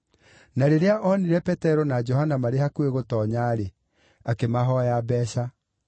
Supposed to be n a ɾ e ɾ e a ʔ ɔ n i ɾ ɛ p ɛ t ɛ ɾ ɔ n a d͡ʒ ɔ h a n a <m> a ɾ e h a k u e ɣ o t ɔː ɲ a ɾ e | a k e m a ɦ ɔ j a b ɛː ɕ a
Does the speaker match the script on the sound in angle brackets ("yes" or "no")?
yes